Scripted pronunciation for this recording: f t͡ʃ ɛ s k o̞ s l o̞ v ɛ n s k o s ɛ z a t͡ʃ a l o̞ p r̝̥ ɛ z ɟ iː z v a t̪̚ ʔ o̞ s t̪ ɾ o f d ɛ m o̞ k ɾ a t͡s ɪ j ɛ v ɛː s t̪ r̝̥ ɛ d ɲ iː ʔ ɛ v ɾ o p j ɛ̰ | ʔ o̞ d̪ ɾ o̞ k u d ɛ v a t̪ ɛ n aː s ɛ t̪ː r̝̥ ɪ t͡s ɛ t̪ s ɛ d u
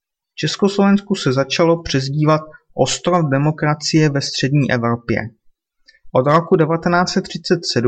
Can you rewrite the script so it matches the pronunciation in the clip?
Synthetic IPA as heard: f t͡ʃ ɛ s k o̞ s l o̞ v ɛ n s k u s ɛ z a t͡ʃ a l o̞ p r̝̥ ɛ z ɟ iː v a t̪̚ ʔ o̞ s t̪ ɾ o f d ɛ m o̞ k ɾ a t͡s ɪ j ɛ v ɛ s t̪ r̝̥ ɛ d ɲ iː ʔ ɛ v ɾ o p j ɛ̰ | ʔ o̞ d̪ ɾ o̞ k u d ɛ v a t̪ ɛ n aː t͡s ɛ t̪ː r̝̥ ɪ t͡s ɛ t̪ s ɛ d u